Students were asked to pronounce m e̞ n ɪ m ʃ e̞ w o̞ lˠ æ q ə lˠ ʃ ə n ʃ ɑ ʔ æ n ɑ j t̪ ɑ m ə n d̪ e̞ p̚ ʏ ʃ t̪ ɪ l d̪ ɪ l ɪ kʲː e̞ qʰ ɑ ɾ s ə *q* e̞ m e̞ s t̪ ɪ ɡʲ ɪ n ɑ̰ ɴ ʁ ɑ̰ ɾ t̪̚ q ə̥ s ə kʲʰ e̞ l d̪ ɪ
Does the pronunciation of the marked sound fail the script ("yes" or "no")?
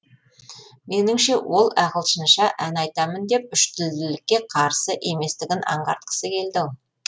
yes